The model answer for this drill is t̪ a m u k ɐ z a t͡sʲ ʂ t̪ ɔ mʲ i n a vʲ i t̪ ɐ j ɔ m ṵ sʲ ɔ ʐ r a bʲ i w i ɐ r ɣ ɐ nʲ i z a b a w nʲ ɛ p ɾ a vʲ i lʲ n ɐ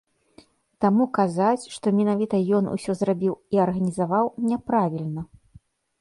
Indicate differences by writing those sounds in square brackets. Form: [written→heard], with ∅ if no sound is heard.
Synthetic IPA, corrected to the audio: t̪ a m u k [ɐ→a] z a t͡sʲ ʂ t̪ ɔ mʲ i n a vʲ i t̪ ɐ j ɔ [m→n] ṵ sʲ ɔ [ʐ→z] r a bʲ i w i ɐ r ɣ ɐ nʲ i z a [b→v] a w nʲ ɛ p ɾ a vʲ i lʲ n ɐ